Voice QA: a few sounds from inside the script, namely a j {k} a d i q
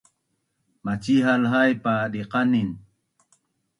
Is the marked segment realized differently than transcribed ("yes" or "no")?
yes